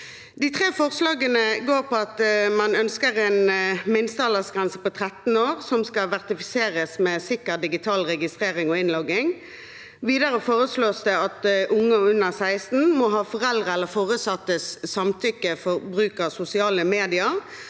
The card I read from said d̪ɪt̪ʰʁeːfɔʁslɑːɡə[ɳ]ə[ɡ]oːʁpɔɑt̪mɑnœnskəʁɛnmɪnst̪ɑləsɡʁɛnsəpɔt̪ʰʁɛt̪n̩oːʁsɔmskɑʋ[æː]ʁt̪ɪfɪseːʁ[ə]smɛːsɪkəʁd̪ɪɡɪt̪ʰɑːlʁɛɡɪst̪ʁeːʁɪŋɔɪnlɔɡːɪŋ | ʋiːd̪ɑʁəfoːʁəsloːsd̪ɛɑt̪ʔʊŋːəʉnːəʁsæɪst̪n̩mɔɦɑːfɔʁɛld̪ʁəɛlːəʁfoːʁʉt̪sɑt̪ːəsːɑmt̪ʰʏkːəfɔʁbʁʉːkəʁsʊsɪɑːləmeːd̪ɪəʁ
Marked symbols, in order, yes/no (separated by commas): no, yes, no, yes